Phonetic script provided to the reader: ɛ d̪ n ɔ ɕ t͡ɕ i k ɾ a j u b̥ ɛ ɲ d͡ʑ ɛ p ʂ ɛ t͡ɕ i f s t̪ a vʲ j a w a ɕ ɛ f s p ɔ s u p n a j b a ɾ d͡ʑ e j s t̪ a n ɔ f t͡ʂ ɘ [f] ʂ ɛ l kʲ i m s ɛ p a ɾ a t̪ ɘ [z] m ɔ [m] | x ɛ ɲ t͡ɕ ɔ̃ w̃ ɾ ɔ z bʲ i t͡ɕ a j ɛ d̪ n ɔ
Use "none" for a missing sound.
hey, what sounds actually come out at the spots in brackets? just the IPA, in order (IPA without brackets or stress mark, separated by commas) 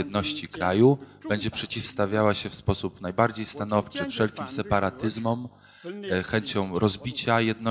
f, z, m